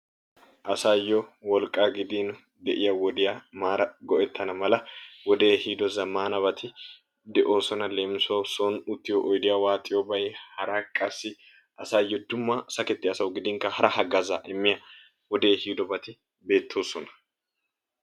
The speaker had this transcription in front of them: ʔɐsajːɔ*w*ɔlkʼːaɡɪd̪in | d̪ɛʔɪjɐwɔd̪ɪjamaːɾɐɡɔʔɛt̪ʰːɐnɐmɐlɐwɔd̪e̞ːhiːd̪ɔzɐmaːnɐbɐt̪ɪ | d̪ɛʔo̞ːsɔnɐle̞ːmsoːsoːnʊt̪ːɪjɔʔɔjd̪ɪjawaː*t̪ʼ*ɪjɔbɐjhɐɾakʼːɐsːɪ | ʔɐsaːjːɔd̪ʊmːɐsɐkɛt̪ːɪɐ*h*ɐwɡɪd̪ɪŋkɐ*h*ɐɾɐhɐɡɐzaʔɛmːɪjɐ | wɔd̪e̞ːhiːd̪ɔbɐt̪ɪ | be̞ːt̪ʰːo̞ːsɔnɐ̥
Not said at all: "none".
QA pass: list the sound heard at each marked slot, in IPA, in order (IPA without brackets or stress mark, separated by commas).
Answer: w, t̪ʼ, s, h